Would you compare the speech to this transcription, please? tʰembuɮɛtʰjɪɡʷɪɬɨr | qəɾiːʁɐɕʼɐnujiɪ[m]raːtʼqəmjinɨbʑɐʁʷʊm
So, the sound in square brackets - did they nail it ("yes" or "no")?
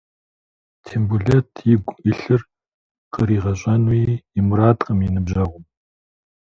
yes